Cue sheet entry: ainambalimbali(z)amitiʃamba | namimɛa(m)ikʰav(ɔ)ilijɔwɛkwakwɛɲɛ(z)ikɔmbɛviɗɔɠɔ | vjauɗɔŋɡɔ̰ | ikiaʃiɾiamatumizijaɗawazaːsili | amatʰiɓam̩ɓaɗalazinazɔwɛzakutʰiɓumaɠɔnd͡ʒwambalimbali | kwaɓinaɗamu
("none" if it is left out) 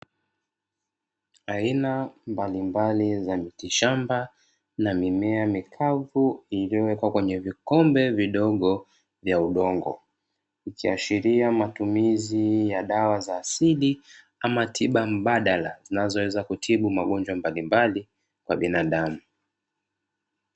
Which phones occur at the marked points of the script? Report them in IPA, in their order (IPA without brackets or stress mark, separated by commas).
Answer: z, m, u, v